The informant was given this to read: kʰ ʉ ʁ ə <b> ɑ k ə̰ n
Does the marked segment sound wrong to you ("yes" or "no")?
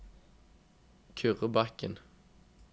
no